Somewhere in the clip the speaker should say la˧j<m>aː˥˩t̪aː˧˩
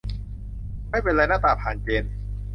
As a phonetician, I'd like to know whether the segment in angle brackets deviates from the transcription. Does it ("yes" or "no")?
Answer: yes